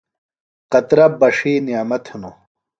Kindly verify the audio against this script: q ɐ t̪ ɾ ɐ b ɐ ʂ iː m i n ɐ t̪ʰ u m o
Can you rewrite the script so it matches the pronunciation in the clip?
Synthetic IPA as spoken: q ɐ t̪ ɾ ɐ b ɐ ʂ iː n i m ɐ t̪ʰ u n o